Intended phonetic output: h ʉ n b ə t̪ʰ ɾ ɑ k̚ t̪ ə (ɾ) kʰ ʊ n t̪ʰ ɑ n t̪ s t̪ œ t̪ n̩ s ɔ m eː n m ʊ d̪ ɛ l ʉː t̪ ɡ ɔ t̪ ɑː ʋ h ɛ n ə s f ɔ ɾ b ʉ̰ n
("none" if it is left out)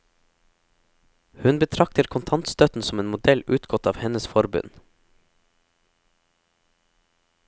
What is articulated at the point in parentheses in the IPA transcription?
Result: ɾ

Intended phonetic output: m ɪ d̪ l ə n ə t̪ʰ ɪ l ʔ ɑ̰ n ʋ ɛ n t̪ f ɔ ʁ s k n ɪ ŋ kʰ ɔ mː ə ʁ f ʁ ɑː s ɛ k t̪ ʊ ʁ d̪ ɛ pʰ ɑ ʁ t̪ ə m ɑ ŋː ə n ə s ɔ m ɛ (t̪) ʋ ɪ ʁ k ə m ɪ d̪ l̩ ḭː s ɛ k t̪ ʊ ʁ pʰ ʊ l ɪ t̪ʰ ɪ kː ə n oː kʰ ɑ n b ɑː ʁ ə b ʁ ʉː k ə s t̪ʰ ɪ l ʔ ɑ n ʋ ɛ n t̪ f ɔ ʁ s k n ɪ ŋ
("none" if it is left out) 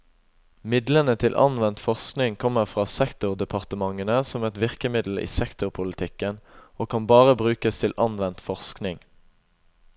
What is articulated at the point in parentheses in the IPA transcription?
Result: t̪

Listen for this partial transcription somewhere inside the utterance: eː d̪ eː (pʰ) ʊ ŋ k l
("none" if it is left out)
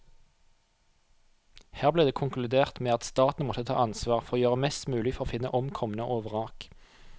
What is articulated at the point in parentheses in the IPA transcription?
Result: kʰ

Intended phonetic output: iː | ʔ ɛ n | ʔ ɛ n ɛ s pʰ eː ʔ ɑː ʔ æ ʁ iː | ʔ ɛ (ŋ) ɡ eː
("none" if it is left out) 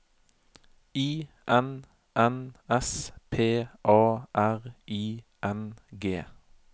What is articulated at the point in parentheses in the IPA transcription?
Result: n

